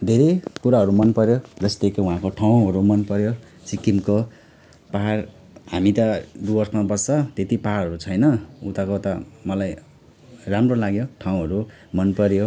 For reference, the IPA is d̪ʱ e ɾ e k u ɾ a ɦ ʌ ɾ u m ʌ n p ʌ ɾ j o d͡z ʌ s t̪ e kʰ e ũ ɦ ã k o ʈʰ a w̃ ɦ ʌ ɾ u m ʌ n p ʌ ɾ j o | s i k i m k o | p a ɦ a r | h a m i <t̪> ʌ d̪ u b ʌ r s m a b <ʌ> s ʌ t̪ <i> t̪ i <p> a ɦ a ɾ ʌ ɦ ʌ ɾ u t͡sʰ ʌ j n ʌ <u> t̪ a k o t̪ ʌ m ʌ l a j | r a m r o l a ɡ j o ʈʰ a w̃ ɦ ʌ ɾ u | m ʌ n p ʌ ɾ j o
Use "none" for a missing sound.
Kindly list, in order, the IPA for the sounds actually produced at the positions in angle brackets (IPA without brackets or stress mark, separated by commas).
t̪, ʌ, e, p, u